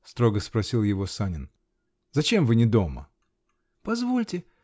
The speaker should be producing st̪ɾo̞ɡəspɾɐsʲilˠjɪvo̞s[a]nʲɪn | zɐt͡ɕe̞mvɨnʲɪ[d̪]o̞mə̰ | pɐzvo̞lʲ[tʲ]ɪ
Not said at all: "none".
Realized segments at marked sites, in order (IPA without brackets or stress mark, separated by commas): a, d̪, tʲ